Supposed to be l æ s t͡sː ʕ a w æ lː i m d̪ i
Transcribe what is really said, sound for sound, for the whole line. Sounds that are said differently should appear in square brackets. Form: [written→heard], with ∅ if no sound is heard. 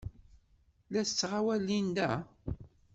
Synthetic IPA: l æ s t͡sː [ʕ→ʁ] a w æ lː i [m→n] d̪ [i→æ]